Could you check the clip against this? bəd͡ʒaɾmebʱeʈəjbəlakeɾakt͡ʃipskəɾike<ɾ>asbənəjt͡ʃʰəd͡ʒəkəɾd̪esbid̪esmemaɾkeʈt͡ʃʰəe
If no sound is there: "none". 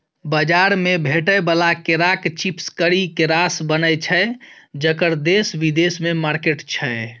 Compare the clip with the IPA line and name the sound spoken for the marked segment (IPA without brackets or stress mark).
ɾ